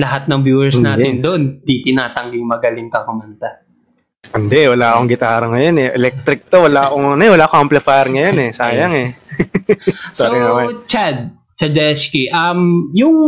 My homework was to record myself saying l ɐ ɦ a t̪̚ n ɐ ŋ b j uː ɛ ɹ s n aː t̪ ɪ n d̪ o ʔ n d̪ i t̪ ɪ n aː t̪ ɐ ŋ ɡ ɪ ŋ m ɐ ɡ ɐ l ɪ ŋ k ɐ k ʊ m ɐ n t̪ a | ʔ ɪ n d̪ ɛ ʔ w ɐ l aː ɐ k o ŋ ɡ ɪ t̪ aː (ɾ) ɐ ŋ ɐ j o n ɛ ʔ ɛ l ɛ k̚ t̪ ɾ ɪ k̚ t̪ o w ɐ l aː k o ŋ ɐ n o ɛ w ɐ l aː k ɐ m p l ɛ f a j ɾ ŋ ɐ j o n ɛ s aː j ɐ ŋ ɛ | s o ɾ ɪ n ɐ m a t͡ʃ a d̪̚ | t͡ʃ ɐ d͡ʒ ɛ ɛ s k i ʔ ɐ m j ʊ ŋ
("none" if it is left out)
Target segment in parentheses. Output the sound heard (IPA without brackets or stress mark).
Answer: ɾ